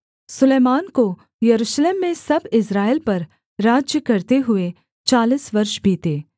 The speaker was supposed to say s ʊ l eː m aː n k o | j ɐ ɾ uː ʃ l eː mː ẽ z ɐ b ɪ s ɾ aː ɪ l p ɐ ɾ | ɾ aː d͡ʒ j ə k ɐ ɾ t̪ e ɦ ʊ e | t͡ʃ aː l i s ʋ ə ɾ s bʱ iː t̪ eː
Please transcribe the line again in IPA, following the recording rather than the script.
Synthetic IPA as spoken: s ʊ l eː m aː n k o | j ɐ ɾ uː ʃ l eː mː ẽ s ɐ b ɪ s ɾ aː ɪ l p ɐ ɾ | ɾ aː d͡ʒ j ə k ɐ ɾ t̪ e ɦ ʊ e | t͡ʃ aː l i s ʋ ɐ ɾ ʃ bʱ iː t̪ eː

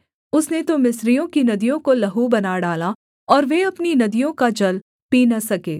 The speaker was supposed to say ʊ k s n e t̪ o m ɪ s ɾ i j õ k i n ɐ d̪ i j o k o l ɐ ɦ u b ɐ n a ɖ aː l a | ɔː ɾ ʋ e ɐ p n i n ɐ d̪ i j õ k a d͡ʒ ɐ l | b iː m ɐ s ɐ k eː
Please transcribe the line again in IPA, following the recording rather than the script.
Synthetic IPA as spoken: ʊ s n e t̪ o m ɪ s ɾ i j õ k i n ɐ d̪ i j õ k o l ɐ ɦ u b ɐ n a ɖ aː l a | ɔː ɾ ʋ e ɐ p n i n ɐ d̪ i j õ k a d͡ʒ ɐ l | p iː n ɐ s ɐ k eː

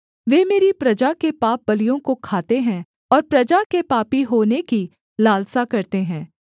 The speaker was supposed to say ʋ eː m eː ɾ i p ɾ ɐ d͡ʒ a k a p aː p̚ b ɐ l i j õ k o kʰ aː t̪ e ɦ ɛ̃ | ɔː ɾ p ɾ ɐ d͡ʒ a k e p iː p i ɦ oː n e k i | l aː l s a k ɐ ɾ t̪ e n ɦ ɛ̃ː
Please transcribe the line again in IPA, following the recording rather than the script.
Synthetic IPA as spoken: ʋ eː m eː ɾ i p ɾ ɐ d͡ʒ a k e p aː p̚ b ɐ l i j õ k o kʰ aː t̪ e ɦ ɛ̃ | ɔː ɾ p ɾ ɐ d͡ʒ a k e p aː p i ɦ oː n e k i | l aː l s a k ɐ ɾ t̪ e ɦ ɛ̃ː

